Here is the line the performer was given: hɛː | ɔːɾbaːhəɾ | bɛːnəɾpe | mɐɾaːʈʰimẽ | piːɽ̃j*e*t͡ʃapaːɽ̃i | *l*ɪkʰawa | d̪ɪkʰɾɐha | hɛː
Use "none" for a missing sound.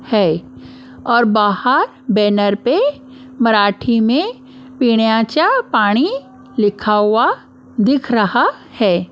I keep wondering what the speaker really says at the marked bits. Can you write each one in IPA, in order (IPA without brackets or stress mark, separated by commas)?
a, l